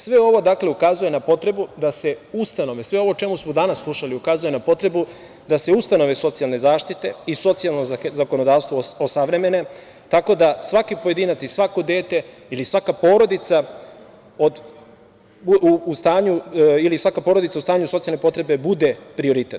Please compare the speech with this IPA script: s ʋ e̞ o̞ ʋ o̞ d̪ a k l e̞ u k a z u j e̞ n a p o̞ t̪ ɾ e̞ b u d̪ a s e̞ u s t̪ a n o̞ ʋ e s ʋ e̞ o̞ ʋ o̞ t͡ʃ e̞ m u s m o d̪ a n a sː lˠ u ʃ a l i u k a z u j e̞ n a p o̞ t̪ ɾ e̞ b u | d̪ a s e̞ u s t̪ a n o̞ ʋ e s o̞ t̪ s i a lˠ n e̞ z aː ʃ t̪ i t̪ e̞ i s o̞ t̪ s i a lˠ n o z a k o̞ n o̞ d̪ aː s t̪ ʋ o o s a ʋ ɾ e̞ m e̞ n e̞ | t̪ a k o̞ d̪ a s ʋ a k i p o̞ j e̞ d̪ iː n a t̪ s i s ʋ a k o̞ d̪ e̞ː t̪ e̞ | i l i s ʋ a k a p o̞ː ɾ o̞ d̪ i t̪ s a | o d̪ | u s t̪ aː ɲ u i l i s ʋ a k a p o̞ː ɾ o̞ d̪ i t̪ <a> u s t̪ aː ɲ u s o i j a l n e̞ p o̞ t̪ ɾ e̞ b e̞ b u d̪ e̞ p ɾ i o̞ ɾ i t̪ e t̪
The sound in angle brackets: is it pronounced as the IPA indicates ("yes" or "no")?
yes